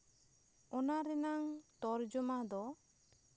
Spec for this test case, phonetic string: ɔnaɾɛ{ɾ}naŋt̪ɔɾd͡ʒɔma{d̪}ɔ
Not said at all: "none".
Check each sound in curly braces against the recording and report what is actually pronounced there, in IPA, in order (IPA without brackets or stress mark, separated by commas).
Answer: none, d̪